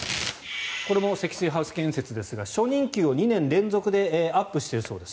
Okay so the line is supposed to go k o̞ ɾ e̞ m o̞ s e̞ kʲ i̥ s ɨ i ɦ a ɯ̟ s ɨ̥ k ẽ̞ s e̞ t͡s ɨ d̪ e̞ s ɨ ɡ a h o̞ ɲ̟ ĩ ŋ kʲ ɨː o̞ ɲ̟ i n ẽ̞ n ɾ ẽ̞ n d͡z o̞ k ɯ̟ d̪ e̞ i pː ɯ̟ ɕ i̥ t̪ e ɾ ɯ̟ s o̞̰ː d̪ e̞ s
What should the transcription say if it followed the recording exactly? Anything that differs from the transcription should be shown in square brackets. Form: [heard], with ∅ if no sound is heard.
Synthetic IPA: k o̞ ɾ e̞ m o̞ s e̞ kʲ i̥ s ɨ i ɦ a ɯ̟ s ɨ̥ k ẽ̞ s e̞ t͡s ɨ d̪ e̞ s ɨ ɡ a [ɕ] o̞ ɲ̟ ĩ ŋ kʲ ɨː o̞ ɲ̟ i n ẽ̞ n ɾ ẽ̞ n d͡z o̞ k ɯ̟ d̪ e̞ [a] pː ɯ̟ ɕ i̥ t̪ e ɾ ɯ̟ s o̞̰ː d̪ e̞ s